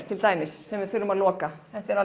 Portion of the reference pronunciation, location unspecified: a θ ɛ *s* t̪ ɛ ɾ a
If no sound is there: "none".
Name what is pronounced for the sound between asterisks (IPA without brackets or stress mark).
h